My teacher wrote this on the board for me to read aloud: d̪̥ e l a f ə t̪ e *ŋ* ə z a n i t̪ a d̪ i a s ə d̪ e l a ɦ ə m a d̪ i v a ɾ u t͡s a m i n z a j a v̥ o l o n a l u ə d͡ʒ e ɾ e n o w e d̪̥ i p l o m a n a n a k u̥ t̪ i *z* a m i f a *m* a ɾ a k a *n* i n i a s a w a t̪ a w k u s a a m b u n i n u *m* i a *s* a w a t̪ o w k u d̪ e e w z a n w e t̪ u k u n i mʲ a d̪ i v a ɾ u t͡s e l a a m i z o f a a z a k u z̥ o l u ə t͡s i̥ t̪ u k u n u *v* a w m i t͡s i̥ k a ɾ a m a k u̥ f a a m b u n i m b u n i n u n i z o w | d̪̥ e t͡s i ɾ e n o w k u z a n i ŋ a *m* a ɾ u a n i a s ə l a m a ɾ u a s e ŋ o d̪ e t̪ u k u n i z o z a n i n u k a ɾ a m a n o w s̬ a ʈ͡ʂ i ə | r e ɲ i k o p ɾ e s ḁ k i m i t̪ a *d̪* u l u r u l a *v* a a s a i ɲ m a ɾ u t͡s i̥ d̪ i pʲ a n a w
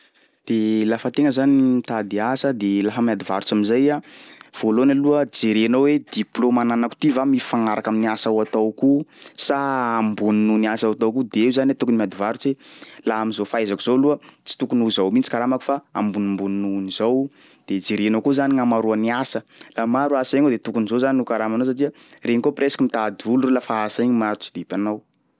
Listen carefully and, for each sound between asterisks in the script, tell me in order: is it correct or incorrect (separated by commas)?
correct, incorrect, incorrect, incorrect, incorrect, correct, incorrect, correct, correct, incorrect